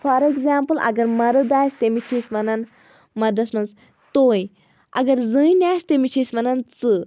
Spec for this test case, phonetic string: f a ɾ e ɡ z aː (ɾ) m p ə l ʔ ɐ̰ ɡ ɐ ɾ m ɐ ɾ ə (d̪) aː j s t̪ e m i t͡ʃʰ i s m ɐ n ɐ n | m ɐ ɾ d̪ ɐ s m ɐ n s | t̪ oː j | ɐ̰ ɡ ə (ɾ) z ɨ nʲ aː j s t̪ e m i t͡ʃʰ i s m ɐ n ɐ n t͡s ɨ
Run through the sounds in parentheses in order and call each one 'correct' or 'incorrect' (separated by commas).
incorrect, correct, correct